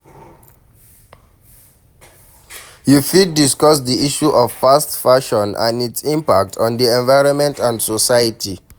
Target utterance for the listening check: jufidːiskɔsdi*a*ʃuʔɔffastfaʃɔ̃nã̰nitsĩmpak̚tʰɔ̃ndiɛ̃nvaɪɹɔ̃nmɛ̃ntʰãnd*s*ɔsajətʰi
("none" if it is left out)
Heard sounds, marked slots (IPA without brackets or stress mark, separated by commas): i, s